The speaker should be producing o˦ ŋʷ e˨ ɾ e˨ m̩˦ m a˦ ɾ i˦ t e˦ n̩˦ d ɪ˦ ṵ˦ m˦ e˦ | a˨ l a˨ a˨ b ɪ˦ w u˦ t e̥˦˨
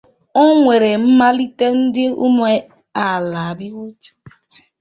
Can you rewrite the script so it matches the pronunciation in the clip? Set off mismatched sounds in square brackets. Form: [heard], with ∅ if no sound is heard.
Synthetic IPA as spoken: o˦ ŋʷ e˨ ɾ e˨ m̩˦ m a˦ [l] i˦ t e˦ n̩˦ d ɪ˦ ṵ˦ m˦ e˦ | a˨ l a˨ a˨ b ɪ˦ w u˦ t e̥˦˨